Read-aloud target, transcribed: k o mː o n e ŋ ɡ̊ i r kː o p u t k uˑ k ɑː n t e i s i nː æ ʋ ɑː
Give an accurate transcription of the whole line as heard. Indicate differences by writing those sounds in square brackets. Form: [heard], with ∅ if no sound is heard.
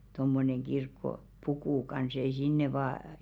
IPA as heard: [t] o mː o n e ŋ ɡ̊ i r kː o p u [∅] k uˑ k [ɑ] n [s] e i s i nː [e] ʋ ɑː